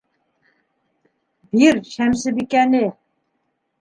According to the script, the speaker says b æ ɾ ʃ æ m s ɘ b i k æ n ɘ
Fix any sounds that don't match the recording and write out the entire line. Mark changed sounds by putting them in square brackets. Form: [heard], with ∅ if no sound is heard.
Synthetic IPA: b [i] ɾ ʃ æ m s ɘ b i k æ n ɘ